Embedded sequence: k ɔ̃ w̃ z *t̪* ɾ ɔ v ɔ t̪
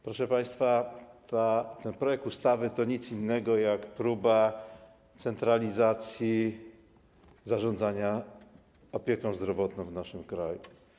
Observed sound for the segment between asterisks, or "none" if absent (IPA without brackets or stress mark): d̪